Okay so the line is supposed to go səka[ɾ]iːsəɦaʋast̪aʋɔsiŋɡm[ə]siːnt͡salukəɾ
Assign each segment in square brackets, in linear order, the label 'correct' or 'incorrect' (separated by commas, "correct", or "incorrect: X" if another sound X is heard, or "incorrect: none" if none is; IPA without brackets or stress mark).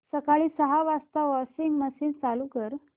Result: incorrect: ɭ, correct